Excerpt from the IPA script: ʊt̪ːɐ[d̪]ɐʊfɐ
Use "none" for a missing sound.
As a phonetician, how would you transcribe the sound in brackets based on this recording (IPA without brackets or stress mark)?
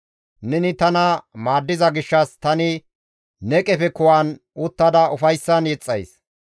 d̪